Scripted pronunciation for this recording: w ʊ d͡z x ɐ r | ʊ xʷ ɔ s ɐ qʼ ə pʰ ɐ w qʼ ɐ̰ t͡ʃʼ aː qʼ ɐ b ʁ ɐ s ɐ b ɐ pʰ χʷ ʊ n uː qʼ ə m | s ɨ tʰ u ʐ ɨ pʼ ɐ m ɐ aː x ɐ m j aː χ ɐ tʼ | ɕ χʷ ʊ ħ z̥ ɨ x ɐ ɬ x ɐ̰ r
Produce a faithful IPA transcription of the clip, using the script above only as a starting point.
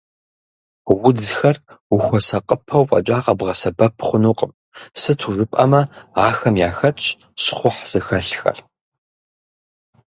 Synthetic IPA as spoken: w ʊ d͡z x ɐ r | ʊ xʷ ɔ s ɐ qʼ ə pʰ ɐ w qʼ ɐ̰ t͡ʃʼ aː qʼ ɐ b ʁ ɐ s ɐ b ɐ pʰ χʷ ʊ n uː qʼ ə m | s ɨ tʰ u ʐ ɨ pʼ ɐ m ɐ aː x ɐ m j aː x ɐ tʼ | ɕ χʷ ʊ ħ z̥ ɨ x ɐ ɬ x ɐ̰ r